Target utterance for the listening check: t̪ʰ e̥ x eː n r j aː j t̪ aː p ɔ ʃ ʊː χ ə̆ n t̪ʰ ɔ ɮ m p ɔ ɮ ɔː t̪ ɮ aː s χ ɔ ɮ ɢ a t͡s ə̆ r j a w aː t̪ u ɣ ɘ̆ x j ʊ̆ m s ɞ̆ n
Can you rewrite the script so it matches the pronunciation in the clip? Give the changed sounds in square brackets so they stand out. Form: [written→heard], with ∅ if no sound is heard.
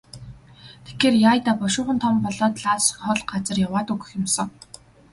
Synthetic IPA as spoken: t̪ʰ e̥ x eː [n→∅] r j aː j t̪ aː p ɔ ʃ ʊː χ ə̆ n t̪ʰ ɔ [ɮ→∅] m p ɔ ɮ ɔː t̪ ɮ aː s χ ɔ ɮ ɢ a t͡s ə̆ r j a w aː t̪ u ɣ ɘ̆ x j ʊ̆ m s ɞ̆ [n→ŋ]